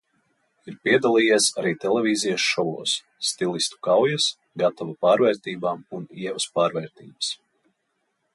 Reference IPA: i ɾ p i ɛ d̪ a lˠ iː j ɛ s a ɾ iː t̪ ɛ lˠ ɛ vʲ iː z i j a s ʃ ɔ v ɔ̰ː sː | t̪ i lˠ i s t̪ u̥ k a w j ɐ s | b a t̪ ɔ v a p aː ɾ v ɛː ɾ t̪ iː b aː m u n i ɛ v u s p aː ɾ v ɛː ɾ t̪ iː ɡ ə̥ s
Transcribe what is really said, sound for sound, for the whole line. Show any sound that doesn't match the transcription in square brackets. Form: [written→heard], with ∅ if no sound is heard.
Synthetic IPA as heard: i ɾ p i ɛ d̪ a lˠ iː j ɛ s a ɾ iː t̪ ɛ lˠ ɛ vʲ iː z i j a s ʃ ɔ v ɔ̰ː sː | t̪ i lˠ i s t̪ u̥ k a w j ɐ s | [b→ɡ] a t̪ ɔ v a p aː ɾ v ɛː ɾ t̪ iː b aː m u n i ɛ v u s p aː ɾ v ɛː ɾ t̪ iː [ɡ→b] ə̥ s